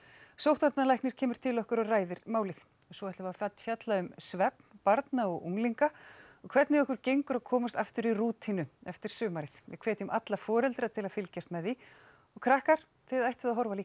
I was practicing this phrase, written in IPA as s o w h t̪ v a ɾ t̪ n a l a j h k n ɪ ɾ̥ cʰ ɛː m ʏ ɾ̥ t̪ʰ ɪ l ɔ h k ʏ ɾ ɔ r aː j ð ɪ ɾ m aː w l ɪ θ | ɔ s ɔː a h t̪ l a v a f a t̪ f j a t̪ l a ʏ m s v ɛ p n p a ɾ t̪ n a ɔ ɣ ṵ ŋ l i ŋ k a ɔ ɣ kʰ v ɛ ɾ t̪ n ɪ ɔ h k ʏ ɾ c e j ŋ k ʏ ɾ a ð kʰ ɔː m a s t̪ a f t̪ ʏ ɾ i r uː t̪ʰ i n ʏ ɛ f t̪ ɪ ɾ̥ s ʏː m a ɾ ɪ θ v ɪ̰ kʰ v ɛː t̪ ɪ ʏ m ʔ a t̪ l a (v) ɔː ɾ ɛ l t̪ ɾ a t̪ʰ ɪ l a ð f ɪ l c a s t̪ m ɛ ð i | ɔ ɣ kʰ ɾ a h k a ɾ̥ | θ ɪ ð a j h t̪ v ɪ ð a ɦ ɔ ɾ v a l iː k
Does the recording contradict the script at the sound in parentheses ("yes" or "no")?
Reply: yes